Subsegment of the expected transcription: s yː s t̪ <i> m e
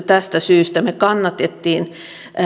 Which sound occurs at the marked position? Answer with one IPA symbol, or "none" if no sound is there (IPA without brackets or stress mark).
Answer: æ